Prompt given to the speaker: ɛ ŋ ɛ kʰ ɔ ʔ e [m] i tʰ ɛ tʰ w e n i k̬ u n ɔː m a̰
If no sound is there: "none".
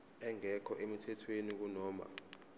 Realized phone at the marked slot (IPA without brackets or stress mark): m